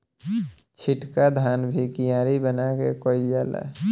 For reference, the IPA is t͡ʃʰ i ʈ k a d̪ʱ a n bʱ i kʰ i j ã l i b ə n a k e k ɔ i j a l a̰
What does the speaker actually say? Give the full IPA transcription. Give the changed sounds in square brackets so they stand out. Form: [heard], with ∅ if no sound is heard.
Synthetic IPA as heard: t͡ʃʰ i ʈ k a d̪ʱ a n bʱ i [k] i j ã [ɾ] i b ə n a k e k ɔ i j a l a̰